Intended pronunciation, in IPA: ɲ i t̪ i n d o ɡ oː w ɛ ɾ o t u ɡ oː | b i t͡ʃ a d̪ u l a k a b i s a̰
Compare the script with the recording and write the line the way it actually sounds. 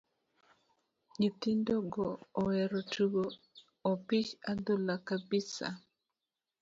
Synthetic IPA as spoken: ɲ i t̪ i n d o ɡ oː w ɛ ɾ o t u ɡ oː | p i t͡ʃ a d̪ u l a k a b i s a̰